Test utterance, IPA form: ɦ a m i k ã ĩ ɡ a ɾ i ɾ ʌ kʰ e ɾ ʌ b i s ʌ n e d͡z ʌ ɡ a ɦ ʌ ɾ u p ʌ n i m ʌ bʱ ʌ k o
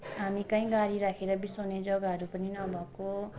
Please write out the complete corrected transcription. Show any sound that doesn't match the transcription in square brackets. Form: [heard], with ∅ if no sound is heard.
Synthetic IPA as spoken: ɦ a m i k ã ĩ ɡ a ɾ i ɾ [a] kʰ e ɾ ʌ b i s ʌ n e d͡z ʌ ɡ a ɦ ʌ ɾ u p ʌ n i [n] ʌ bʱ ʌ k o